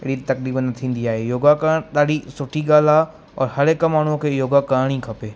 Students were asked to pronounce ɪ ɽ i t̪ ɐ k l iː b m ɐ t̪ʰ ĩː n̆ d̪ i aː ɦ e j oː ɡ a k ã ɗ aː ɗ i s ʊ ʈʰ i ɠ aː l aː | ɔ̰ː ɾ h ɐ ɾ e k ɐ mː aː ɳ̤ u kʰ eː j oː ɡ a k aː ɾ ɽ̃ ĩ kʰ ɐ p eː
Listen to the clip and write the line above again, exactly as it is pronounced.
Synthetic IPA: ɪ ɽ i t̪ ɐ k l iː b n ɐ t̪ʰ ĩː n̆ d̪ i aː ɦ e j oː ɡ a k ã ɗ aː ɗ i s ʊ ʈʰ i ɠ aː l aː | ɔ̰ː ɾ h ɐ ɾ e k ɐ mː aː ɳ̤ u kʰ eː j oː ɡ a k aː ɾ ɽ̃ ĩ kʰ ɐ p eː